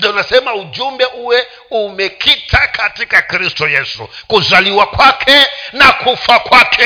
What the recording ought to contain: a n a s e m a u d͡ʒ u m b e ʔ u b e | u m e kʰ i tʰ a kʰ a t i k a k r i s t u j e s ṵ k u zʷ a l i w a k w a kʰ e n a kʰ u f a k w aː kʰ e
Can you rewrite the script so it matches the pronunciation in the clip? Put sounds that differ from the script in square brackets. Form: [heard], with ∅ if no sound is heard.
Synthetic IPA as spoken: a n a s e m a u d͡ʒ u m b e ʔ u [w] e | u m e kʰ i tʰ a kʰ a t i k a k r i s t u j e s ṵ k u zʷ a l i w a k w a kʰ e n a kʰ u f a k w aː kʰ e